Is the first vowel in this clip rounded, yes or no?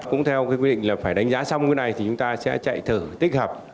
yes